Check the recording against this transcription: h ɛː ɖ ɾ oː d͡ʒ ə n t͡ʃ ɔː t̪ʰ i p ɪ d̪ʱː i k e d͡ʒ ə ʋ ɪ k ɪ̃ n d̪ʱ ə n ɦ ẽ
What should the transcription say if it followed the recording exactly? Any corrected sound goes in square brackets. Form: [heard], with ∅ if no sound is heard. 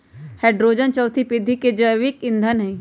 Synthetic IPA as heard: h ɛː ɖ ɾ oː d͡ʒ ə n t͡ʃ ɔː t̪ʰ i p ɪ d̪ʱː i k e d͡ʒ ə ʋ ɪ k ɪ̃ n d̪ʱ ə n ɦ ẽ